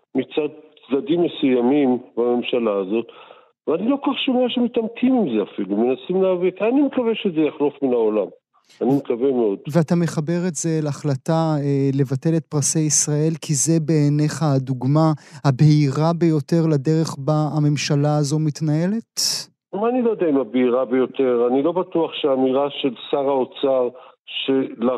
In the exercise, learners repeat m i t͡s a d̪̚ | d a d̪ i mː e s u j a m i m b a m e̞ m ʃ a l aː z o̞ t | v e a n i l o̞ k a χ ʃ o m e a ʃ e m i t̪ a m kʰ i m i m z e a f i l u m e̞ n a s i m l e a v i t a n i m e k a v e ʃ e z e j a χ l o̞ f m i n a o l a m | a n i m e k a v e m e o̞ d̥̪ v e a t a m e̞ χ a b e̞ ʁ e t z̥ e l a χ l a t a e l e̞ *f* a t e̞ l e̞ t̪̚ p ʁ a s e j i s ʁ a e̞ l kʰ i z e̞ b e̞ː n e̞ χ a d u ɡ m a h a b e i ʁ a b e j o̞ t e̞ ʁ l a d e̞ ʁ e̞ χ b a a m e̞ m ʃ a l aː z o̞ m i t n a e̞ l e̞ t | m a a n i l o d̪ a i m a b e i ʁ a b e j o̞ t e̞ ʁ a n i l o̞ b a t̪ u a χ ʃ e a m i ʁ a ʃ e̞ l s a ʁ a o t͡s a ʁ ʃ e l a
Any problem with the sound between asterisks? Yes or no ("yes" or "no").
yes